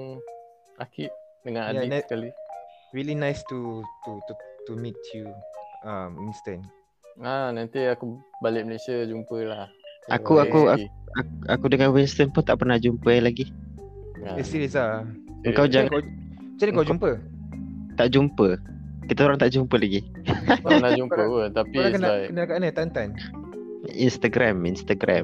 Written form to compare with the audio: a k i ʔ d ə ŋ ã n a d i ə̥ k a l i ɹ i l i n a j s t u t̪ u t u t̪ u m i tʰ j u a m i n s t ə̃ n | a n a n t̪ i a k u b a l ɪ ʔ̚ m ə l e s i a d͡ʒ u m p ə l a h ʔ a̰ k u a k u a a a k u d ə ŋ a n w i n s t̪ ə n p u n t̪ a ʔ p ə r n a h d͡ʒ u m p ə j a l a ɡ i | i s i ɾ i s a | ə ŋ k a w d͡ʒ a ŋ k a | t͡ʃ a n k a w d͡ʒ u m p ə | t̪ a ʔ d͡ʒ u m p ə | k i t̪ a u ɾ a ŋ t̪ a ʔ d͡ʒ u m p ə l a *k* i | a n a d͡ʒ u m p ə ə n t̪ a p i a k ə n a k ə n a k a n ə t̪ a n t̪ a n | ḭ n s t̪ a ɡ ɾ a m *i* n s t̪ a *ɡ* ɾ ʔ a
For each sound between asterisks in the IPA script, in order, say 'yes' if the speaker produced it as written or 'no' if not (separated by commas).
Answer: no, yes, yes